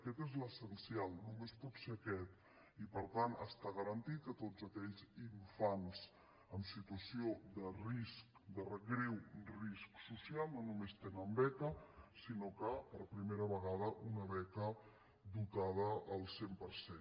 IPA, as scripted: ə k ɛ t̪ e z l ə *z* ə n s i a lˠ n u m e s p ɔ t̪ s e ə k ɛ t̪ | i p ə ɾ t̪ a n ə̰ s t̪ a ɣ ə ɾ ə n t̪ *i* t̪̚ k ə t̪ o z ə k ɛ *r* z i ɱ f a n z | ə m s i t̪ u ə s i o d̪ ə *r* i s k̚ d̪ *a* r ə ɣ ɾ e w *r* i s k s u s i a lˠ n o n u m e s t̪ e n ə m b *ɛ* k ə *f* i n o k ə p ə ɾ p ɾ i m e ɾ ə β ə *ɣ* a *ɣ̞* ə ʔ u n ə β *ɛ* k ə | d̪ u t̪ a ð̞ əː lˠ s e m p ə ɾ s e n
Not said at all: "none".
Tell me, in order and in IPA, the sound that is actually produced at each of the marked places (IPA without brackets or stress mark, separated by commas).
s, i, ʎ, r, ə, r, ɛ, s, ɣ, ð̞, ɛ